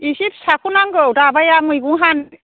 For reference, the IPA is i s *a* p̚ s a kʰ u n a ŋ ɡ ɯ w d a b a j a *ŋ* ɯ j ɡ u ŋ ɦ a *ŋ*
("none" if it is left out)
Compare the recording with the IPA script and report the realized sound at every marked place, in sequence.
i, m, n

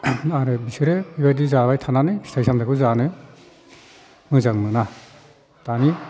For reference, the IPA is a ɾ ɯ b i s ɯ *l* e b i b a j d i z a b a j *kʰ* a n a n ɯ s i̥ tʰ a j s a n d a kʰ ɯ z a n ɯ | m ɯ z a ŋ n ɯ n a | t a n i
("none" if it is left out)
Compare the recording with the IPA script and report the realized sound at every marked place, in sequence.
ɾ, tʰ

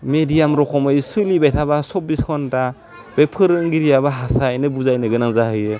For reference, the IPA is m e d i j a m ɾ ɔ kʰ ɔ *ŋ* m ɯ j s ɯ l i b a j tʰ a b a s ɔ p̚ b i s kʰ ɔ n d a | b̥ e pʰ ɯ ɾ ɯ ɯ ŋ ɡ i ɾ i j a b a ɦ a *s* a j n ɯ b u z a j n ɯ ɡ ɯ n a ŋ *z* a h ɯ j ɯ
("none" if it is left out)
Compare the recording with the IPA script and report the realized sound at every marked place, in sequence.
none, s, z

